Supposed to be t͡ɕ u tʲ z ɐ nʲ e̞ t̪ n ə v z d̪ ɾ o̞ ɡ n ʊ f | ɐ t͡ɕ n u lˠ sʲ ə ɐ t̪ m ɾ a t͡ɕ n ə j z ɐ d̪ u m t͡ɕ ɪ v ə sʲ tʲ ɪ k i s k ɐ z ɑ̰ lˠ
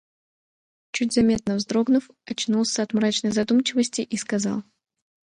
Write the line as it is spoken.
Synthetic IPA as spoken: t͡ɕ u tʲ z ɐ mʲ e̞ t̪ n ə v z d̪ ɾ o̞ ɡ n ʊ f | ɐ t͡ɕ n u lˠ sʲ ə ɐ t̪ m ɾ a t͡ɕ n ə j z ɐ d̪ u m t͡ɕ ɪ v ə sʲ tʲ ɪ ʔ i s k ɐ z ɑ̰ lˠ